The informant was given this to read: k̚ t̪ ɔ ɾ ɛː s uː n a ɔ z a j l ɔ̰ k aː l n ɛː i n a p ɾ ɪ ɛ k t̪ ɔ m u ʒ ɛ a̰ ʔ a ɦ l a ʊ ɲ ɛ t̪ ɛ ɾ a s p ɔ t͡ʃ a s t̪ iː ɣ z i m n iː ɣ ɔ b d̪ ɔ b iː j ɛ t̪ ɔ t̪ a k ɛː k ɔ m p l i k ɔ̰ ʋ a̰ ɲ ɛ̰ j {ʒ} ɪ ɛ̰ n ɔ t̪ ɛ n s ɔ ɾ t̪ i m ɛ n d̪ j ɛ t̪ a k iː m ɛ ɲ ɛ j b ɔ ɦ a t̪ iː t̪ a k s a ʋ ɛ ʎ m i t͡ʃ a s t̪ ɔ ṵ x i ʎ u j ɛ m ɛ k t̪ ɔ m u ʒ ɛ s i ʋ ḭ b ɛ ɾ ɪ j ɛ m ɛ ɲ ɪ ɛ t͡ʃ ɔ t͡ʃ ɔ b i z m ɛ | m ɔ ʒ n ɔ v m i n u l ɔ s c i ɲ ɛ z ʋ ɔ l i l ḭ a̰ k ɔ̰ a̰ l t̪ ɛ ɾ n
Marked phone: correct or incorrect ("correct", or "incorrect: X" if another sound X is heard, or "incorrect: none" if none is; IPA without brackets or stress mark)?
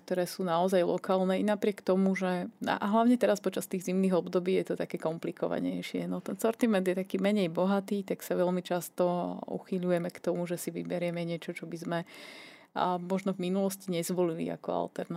incorrect: ʃ